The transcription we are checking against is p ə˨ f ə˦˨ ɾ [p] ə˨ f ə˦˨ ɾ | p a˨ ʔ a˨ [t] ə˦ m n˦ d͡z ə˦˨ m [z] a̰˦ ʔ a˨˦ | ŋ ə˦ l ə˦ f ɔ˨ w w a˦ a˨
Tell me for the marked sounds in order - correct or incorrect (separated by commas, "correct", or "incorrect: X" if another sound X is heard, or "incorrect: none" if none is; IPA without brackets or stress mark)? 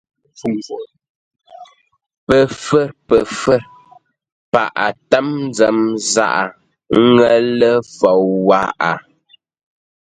correct, correct, correct